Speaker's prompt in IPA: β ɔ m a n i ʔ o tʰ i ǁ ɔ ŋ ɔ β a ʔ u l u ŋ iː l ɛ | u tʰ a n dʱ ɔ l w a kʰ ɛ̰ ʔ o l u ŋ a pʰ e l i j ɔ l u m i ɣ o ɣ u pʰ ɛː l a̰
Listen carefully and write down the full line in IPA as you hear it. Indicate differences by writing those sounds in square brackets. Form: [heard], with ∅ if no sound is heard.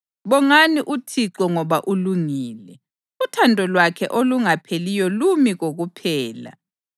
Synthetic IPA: β ɔ [ŋ] a n i ʔ [u] tʰ i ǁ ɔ ŋ ɔ β a ʔ u l u ŋ iː l ɛ | u tʰ a n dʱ ɔ l w a kʰ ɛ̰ ʔ o l u ŋ a pʰ e l i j ɔ l u m i ɣ o ɣ u pʰ ɛː l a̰